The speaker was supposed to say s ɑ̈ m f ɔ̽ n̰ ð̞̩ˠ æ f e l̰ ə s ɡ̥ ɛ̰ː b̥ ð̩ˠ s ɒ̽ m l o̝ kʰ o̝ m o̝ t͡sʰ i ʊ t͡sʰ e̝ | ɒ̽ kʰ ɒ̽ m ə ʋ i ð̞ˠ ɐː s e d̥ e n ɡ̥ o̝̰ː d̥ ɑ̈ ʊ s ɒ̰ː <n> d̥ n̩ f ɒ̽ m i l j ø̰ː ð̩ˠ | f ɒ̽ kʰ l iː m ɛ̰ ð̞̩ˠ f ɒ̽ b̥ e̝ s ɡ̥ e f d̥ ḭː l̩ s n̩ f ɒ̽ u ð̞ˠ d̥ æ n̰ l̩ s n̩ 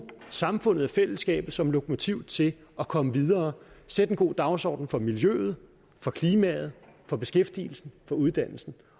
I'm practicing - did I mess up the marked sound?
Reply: yes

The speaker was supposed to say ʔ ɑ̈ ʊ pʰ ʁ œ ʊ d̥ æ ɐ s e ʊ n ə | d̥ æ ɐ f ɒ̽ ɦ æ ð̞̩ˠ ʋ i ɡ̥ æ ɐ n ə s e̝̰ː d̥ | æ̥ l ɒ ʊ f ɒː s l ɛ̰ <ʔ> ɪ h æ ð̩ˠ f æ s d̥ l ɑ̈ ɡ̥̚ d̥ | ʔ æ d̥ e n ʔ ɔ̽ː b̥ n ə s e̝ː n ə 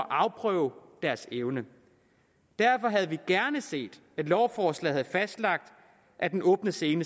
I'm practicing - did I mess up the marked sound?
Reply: yes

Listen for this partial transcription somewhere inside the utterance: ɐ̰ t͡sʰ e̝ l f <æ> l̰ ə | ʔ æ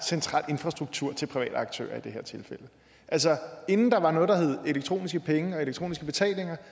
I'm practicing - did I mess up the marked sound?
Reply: yes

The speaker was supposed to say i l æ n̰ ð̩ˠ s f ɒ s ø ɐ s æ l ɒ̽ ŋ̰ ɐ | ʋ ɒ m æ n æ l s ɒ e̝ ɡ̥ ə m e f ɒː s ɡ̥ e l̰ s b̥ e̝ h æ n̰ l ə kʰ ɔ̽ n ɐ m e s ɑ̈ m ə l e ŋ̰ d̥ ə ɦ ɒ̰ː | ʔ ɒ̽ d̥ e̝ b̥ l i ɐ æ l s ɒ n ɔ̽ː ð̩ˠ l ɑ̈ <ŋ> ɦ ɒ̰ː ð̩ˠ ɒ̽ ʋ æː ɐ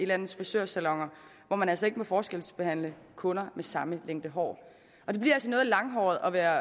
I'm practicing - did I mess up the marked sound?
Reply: no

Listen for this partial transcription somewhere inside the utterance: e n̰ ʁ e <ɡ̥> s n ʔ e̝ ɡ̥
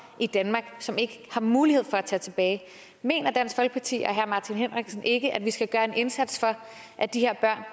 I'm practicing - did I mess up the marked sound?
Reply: no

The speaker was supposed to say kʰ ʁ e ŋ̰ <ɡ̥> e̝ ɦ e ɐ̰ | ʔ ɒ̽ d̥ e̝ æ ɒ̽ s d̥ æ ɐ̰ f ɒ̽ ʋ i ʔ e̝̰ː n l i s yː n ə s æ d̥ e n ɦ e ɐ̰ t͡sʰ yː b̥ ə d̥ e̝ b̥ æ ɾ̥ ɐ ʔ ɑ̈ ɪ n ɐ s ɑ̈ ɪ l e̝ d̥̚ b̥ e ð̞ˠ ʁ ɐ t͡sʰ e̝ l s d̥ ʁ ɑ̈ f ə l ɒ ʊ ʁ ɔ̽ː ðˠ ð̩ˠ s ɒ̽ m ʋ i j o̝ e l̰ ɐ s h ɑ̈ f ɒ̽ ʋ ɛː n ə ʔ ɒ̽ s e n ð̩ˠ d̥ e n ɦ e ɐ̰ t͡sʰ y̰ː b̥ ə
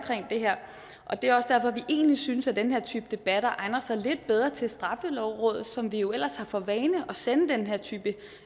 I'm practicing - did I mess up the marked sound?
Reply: yes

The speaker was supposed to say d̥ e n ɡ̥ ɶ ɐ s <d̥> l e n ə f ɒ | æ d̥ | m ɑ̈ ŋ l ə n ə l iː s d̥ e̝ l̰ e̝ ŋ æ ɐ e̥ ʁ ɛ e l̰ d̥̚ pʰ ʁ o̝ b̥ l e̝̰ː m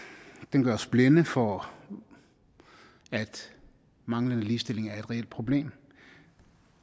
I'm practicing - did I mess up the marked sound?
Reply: yes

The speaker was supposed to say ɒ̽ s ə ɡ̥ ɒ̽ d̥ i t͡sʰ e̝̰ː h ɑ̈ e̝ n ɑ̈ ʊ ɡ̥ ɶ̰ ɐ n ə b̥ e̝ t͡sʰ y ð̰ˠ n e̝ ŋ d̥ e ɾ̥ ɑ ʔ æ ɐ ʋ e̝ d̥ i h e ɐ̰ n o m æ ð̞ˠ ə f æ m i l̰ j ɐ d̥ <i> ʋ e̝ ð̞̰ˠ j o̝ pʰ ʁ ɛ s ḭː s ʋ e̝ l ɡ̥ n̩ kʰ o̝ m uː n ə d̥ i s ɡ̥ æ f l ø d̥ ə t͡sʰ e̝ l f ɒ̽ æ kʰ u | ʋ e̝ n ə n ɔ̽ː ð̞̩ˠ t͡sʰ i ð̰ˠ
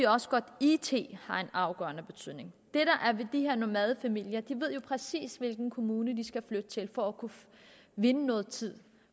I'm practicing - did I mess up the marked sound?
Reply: no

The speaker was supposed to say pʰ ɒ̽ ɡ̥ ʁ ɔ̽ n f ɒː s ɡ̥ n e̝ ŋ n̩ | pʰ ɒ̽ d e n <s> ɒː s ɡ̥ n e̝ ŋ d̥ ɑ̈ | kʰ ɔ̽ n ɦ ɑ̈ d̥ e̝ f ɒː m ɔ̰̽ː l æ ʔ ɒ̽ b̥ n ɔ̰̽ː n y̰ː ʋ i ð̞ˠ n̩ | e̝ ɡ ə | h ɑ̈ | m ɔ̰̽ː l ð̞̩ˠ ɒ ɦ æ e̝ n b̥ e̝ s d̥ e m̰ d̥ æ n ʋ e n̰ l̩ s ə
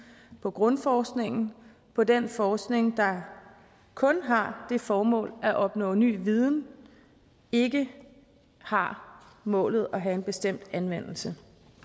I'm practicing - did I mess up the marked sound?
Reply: yes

